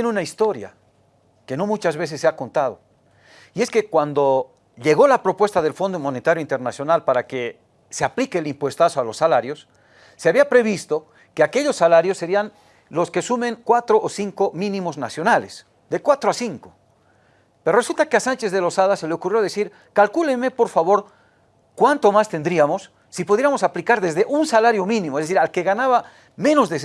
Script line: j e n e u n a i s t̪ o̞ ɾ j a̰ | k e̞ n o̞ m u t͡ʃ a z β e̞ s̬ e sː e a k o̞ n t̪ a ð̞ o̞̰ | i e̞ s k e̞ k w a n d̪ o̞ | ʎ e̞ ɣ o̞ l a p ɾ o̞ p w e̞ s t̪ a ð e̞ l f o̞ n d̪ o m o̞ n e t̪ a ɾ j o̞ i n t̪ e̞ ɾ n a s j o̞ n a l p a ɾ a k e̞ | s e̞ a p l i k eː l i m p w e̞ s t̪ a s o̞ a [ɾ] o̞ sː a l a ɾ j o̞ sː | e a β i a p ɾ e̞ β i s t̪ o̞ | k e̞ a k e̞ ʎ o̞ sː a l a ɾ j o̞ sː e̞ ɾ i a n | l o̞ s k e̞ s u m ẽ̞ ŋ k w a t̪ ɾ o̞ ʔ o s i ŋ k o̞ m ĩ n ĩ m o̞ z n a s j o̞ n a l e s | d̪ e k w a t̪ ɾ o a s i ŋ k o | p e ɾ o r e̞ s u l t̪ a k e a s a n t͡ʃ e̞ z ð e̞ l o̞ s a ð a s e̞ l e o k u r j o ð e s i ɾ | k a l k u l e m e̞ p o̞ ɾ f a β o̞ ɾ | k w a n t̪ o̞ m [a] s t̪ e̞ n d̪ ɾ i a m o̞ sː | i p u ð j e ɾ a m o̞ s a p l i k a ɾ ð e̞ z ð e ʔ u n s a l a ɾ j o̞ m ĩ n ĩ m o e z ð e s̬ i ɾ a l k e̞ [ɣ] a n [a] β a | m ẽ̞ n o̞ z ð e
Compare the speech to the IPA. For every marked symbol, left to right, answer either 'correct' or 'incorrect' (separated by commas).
incorrect, correct, correct, correct